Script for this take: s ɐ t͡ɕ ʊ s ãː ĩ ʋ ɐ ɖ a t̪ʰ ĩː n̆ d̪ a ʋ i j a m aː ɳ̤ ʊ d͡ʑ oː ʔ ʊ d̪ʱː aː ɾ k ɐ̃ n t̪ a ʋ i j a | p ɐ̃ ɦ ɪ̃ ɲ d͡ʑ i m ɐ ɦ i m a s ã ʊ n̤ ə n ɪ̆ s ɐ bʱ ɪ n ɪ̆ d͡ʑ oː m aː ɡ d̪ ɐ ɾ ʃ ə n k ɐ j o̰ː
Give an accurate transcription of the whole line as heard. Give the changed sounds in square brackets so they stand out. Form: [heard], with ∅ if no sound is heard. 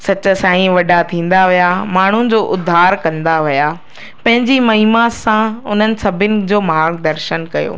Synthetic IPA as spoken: s ɐ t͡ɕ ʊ s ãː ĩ ʋ ɐ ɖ a t̪ʰ ĩː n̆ d̪ a ʋ i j a m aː ɳ̤ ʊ d͡ʑ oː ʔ ʊ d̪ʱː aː ɾ k ɐ̃ n [d̪] a ʋ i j a | p ɐ̃ ɦ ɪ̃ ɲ d͡ʑ i m ɐ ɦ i m a s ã ʊ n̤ ə n ɪ̆ s ɐ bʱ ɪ n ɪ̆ d͡ʑ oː m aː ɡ d̪ ɐ ɾ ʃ ə n k ɐ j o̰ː